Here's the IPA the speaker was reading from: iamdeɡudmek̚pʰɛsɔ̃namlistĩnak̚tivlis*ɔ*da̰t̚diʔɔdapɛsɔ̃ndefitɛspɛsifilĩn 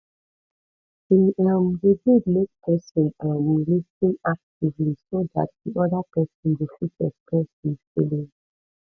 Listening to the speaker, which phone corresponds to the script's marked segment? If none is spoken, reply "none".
o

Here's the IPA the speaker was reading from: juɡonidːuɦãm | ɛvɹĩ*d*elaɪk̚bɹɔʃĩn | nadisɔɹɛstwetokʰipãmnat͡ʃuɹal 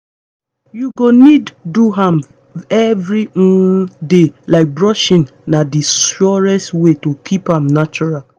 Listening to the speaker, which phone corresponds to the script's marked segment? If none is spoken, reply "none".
d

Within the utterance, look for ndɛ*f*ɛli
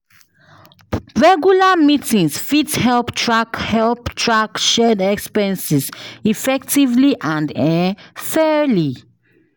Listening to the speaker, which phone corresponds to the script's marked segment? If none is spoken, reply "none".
f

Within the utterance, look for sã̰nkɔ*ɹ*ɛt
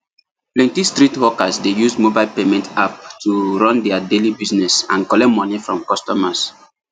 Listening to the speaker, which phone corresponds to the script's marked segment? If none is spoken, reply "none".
l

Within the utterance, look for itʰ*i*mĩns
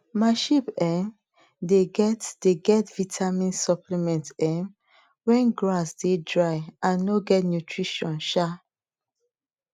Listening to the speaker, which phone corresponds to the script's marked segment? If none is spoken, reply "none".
a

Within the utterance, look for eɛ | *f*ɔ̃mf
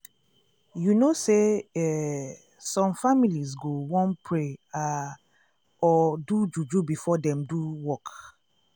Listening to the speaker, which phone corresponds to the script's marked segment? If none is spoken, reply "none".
s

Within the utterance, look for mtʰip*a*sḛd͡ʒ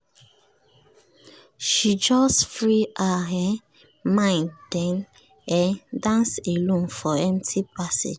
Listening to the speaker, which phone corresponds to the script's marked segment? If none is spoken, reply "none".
a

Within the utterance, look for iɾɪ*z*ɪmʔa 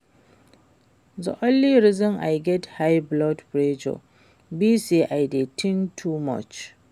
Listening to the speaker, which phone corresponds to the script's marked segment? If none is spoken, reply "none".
z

